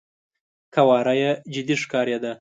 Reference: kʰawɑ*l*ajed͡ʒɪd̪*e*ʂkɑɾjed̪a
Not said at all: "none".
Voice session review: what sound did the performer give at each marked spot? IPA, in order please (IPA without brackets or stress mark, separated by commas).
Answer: ɾ, i